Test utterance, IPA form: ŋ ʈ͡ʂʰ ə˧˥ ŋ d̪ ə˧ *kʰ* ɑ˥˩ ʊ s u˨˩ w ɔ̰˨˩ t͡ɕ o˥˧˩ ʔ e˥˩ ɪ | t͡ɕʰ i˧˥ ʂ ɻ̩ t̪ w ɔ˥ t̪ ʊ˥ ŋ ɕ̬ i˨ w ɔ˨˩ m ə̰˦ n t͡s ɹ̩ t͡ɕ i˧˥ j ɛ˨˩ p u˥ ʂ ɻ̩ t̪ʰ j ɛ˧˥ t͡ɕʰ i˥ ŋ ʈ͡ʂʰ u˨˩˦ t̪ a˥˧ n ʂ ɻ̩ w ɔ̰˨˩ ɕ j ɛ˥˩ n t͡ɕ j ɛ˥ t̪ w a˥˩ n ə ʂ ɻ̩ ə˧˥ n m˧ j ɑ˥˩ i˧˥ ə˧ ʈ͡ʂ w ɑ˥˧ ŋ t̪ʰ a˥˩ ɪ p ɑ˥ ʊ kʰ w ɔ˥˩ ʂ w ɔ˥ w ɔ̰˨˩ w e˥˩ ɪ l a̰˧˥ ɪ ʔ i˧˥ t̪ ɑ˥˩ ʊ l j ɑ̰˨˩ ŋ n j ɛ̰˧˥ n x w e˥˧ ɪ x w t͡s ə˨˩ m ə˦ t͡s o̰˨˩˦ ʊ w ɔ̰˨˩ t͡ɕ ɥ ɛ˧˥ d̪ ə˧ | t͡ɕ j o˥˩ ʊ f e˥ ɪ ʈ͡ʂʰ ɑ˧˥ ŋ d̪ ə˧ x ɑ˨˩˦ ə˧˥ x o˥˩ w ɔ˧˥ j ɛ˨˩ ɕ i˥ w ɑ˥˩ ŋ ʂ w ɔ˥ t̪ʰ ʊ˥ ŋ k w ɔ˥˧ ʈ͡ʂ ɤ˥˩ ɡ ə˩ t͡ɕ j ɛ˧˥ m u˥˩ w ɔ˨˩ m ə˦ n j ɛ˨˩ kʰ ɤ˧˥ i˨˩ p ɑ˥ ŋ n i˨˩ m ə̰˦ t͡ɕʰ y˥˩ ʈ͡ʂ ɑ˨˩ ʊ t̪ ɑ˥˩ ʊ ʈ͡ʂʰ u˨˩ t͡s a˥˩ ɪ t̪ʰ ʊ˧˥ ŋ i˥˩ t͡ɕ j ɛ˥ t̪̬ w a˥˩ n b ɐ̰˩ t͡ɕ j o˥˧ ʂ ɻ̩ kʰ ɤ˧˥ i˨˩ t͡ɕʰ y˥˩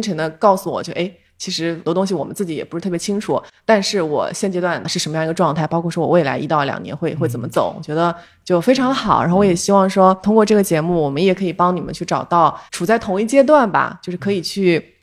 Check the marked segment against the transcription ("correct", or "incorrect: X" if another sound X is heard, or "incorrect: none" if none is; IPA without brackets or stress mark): incorrect: k